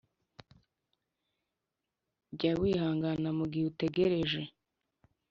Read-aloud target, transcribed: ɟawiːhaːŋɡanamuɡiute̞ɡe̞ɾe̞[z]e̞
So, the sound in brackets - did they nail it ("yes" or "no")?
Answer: no